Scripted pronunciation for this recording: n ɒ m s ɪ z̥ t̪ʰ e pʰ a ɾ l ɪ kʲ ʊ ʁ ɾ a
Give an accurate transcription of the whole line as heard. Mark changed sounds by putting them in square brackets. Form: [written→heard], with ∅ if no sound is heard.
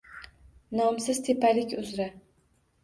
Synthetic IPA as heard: n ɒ m s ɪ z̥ t̪ʰ e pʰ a [ɾ→∅] l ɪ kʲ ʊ [ʁ→z] ɾ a